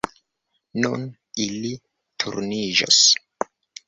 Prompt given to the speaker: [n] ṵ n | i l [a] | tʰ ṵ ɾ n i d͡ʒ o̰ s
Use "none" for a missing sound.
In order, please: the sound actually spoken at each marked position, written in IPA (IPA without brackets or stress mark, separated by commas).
n, i